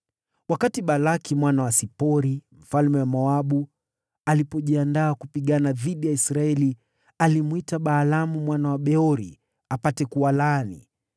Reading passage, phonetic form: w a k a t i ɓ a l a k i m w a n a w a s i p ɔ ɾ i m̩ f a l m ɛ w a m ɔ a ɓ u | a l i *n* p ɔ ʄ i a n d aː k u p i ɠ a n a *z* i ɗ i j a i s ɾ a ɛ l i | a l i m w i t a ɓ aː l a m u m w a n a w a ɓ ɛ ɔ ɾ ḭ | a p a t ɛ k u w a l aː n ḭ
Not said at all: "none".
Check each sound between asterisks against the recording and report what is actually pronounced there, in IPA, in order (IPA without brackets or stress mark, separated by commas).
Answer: none, ð